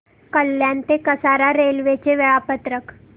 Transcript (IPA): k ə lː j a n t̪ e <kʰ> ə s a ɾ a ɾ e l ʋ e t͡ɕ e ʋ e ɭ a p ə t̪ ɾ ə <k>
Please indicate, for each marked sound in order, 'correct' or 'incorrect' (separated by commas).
incorrect, correct